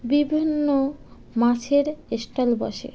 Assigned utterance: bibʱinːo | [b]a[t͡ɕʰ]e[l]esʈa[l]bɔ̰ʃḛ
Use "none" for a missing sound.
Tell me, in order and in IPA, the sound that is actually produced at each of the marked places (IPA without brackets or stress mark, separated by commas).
m, t͡ɕʰ, ɾ, l